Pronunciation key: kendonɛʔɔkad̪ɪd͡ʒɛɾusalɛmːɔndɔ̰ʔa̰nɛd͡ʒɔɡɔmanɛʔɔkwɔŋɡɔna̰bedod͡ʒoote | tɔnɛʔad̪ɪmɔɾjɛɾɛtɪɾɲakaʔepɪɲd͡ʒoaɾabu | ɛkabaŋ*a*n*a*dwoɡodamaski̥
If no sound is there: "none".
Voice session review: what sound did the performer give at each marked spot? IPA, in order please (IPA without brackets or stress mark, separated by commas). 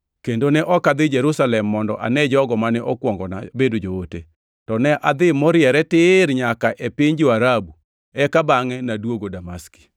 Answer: ɛ, a